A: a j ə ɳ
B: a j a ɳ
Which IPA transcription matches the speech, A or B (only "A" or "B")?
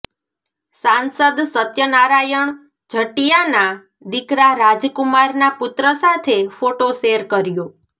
A